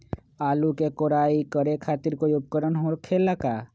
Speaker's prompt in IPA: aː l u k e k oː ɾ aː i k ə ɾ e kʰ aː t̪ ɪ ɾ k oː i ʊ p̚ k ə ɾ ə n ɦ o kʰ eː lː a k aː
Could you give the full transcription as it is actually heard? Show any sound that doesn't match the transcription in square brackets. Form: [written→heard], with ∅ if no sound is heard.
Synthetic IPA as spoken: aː l u k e k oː ɾ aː i k ə ɾ e kʰ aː t̪ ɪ ɾ k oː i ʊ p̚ k ə ɾ ə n ɦ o kʰ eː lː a k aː